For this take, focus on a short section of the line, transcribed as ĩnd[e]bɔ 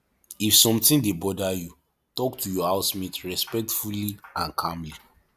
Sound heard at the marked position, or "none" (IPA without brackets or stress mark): e